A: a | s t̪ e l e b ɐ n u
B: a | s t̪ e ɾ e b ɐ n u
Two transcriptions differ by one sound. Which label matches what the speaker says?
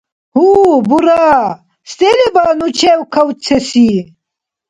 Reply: A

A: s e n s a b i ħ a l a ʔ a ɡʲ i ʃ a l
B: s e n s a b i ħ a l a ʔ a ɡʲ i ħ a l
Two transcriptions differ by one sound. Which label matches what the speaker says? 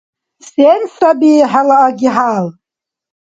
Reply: B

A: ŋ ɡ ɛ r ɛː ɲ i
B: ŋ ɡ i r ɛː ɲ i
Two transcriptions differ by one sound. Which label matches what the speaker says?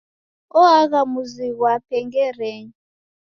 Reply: A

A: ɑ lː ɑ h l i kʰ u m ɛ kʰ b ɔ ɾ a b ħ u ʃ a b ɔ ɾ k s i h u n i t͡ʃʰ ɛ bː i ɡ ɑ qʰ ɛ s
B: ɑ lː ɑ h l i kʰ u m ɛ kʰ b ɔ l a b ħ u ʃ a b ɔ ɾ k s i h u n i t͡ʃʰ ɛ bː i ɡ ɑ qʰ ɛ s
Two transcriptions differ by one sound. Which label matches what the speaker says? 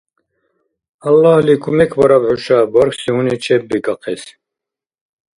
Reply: A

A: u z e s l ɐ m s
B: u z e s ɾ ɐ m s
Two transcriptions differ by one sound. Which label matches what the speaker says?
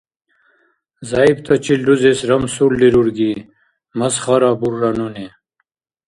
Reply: B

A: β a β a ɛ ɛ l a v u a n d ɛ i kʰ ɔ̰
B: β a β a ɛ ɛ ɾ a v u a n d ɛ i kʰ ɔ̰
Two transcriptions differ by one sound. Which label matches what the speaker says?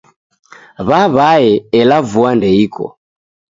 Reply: A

